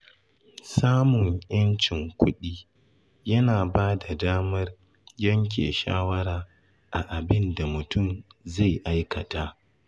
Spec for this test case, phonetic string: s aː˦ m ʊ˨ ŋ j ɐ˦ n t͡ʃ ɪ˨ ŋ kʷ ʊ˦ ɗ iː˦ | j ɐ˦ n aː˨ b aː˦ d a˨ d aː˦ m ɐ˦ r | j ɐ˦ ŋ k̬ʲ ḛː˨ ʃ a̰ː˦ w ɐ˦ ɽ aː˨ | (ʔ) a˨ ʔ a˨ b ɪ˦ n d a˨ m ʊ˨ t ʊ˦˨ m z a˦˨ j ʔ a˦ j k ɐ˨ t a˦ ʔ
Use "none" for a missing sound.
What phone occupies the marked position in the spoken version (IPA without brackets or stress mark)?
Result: ʔ